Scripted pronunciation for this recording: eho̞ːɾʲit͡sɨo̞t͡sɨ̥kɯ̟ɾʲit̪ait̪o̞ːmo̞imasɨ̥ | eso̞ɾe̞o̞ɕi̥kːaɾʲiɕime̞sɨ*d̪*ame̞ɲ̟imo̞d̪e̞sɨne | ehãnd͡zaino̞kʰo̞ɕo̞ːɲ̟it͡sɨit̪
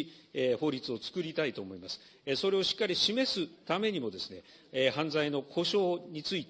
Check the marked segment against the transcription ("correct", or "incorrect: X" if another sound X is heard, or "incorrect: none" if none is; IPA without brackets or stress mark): incorrect: t̪